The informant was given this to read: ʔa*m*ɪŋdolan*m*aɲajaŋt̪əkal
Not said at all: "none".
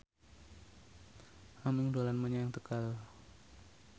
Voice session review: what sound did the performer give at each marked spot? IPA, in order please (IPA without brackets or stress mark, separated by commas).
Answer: m, m